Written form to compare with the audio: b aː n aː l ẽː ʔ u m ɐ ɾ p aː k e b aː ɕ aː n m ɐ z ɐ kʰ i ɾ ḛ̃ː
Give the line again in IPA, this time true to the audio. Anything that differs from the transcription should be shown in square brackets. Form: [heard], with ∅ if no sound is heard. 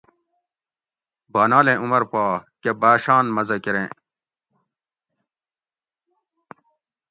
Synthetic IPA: b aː n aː l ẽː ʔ u m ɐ ɾ p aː k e b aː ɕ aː n m ɐ z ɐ [k] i ɾ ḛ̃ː

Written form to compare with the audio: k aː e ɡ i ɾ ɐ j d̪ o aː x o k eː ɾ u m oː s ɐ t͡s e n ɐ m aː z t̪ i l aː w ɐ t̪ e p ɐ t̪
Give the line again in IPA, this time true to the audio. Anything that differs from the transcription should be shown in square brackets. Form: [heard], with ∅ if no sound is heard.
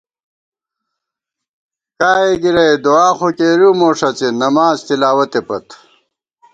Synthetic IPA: k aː e ɡ i ɾ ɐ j d̪ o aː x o k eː ɾ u m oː [ʂ] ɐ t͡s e n ɐ m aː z t̪ i l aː w ɐ t̪ e p ɐ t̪

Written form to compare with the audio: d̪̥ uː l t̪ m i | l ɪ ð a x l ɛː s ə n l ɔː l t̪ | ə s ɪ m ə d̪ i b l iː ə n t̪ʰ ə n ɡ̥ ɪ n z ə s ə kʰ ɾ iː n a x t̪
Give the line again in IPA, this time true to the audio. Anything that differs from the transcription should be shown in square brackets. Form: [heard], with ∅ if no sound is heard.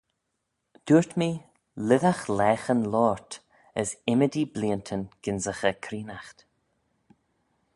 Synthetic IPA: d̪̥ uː [ɹ] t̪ m i | l ɪ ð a x l ɛː [x] ə n l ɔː [ɹ] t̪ | ə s ɪ m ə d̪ i b l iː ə n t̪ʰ ə n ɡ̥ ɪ n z ə [x] ə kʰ ɾ iː n a x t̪

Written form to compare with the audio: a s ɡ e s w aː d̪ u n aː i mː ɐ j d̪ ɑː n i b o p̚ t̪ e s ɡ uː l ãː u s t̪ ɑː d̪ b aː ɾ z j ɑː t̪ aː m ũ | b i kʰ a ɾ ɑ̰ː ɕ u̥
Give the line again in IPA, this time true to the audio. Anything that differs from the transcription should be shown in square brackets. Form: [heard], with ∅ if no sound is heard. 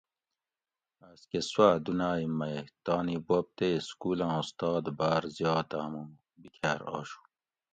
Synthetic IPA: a s [k] e s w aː d̪ u n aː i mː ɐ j [t̪] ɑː n i b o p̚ t̪ e s [k] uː l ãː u s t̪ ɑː d̪ b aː ɾ z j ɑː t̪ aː m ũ | b i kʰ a ɾ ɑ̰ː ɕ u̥

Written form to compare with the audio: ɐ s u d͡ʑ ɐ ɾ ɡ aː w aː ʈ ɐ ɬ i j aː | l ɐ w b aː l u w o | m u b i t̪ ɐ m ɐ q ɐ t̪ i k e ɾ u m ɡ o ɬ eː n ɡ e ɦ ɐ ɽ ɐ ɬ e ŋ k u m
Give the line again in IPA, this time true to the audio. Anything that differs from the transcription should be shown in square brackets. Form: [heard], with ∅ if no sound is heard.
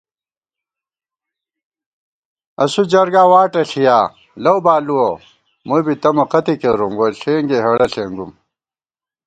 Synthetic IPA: ɐ s u d͡ʑ ɐ ɾ ɡ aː w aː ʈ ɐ ɬ i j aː | l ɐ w b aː l u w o | m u b i t̪ ɐ m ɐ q ɐ t̪ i k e ɾ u m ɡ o ɬ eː [ŋ] ɡ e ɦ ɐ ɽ ɐ ɬ e ŋ [ɡ] u m

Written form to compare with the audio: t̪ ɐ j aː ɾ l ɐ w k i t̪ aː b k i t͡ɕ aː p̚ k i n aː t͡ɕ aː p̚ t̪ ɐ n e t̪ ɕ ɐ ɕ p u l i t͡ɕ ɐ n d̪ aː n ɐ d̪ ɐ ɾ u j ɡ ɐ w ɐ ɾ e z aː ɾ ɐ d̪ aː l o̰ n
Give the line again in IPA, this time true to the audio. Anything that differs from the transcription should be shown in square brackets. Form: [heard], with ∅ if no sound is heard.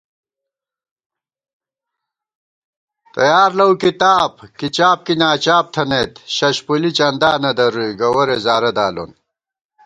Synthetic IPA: t̪ ɐ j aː ɾ l ɐ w k i t̪ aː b k i t͡ɕ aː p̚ k i n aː t͡ɕ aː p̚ [t̪ʰ] ɐ n e t̪ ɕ ɐ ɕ p u l i t͡ɕ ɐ n d̪ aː n ɐ d̪ ɐ ɾ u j ɡ ɐ w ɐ ɾ e z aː ɾ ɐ d̪ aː l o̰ n

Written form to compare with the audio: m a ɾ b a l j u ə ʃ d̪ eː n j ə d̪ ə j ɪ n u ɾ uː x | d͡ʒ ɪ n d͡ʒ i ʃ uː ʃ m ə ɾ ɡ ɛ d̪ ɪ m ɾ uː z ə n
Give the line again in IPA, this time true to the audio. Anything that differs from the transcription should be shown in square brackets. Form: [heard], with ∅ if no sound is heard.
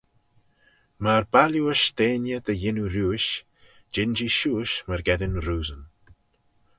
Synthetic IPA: m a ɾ b a l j u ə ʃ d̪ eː n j ə d̪ ə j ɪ n u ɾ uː [ʃ] | d͡ʒ ɪ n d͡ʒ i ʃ uː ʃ m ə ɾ ɡ ɛ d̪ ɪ [n] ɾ uː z ə n

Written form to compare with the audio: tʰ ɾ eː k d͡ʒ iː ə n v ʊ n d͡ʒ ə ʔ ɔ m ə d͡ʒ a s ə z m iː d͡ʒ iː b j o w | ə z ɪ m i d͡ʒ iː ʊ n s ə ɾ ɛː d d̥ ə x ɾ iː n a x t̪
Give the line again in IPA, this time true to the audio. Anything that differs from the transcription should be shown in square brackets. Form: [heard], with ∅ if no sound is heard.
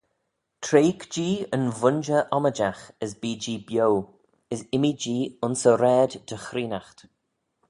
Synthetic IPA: tʰ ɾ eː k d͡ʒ iː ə n v ʊ n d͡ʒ ə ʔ ɔ m ə d͡ʒ a [x] ə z [b] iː d͡ʒ iː b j o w | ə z ɪ m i d͡ʒ iː ʊ n s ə ɾ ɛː d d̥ ə x ɾ iː n a x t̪

